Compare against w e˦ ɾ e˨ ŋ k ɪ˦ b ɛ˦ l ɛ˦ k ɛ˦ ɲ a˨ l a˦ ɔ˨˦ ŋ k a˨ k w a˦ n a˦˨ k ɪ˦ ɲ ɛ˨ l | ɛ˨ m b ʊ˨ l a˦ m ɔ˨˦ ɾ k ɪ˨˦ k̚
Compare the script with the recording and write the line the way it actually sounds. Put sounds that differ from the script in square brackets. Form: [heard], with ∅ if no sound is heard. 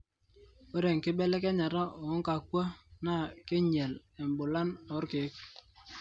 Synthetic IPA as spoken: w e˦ ɾ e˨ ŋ k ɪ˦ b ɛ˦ l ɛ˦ k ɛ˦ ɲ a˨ [ɾ] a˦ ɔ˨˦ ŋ k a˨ k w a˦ n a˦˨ k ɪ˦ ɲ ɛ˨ l | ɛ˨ m b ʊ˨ l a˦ [n] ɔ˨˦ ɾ k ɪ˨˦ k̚